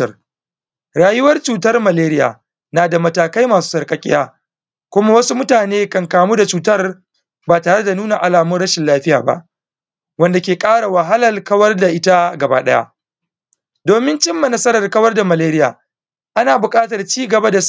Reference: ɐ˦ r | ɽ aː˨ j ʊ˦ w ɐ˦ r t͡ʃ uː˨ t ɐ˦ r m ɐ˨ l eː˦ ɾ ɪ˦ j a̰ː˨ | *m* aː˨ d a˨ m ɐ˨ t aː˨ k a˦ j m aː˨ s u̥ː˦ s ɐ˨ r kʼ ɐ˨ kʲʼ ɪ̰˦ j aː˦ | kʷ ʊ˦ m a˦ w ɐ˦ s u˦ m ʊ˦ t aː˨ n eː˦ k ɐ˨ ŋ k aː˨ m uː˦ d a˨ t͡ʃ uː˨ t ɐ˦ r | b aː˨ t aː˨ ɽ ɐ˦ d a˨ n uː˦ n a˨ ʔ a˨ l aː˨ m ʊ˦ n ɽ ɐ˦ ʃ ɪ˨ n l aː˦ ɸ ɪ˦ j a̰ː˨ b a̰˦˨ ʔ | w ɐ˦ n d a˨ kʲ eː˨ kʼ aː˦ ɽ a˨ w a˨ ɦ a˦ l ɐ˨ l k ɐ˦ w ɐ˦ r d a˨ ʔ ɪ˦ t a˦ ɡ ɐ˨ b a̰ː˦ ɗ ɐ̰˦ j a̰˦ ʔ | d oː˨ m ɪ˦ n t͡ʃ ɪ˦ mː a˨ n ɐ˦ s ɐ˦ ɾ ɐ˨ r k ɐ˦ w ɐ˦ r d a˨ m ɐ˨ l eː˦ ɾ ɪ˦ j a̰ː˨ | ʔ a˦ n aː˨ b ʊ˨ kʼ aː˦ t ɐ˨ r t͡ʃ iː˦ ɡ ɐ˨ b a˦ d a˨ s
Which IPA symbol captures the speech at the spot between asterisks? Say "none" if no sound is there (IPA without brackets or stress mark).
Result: n